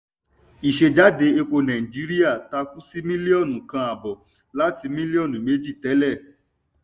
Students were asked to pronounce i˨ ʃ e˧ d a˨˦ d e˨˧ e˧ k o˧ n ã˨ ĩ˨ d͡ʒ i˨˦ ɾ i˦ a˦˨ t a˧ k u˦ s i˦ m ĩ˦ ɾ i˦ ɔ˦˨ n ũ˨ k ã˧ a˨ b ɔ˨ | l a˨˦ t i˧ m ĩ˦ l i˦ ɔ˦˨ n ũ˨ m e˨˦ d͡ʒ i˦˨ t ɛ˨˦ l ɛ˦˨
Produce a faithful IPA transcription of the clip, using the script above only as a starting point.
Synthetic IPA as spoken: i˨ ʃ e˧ d͡ʒ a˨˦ d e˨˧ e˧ k͡p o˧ n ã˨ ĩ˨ d͡ʒ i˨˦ ɾ i˦ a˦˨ t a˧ k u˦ s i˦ m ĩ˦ l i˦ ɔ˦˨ n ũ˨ k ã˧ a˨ b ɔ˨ | l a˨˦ t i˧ m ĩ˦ l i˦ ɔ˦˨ n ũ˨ m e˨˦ d͡ʒ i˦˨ t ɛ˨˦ l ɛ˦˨

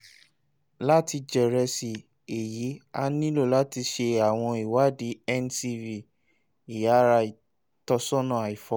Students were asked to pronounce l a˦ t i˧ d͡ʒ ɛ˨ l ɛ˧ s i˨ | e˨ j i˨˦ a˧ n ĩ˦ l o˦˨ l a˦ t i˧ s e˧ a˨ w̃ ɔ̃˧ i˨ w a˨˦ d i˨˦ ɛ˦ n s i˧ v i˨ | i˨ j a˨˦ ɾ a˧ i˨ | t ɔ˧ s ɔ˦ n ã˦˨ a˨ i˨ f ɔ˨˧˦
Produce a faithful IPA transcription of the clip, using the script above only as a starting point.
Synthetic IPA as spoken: l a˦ t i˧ d͡ʒ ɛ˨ ɾ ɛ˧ s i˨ | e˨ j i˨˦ a˧ n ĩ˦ l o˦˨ l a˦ t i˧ ʃ e˧ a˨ w̃ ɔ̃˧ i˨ w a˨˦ d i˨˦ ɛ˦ n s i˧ v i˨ | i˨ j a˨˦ ɾ a˧ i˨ | t ɔ˧ s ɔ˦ n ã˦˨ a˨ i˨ f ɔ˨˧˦

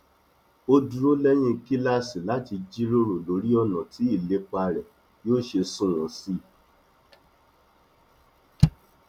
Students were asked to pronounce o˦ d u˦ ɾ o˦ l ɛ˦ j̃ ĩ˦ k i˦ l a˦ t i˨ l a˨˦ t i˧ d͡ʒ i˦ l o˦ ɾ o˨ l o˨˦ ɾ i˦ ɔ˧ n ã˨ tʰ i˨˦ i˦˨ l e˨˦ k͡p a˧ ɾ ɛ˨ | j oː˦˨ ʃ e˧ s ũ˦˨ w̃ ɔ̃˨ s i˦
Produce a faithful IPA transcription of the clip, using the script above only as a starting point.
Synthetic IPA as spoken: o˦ d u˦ ɾ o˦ l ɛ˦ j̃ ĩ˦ k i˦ l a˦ s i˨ l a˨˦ t i˧ d͡ʒ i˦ ɾ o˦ ɾ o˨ l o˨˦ ɾ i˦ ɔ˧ n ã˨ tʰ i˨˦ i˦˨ l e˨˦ k͡p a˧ ɾ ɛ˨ | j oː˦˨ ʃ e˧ s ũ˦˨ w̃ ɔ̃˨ s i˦

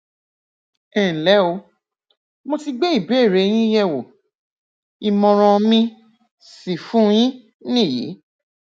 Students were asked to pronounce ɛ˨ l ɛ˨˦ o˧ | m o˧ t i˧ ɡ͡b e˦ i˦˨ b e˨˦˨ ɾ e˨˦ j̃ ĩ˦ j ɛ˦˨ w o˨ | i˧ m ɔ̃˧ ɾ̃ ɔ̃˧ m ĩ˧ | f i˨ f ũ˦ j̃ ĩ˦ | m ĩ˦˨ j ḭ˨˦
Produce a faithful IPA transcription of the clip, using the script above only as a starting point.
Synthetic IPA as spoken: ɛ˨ l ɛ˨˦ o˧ | m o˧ t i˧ ɡ͡b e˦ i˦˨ b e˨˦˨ ɾ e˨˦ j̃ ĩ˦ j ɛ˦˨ w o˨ | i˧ m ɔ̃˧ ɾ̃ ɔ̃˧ m ĩ˧ | s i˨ f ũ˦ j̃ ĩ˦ | n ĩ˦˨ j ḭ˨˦

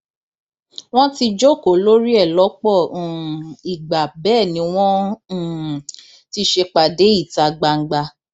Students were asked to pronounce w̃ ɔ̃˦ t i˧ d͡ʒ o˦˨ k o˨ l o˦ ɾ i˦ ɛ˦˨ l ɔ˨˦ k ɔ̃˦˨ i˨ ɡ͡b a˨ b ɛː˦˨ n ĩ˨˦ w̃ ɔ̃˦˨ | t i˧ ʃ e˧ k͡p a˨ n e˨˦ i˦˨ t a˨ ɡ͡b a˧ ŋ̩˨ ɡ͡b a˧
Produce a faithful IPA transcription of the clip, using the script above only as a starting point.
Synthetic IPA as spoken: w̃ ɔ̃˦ t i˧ d͡ʒ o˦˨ k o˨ l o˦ ɾ i˦ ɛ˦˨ l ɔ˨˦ k͡p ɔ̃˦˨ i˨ ɡ͡b a˨ b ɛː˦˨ n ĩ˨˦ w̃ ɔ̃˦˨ | t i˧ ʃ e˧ k͡p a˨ d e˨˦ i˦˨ t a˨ ɡ͡b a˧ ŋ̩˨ ɡ͡b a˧

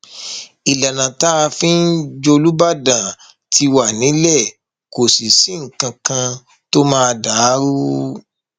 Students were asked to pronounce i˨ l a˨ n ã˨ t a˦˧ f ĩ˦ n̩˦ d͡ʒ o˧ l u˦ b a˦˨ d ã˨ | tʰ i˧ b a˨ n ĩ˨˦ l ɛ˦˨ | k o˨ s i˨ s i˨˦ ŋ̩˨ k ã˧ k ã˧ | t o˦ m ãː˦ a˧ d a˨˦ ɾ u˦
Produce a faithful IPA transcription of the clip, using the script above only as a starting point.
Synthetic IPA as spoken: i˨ l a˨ n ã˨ t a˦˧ f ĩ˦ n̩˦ d͡ʒ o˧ l u˦ b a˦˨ d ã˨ | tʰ i˧ w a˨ n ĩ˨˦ l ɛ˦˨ | k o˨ s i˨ s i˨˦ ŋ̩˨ k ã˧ k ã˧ | t o˦ m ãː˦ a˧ d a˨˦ ɾ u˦

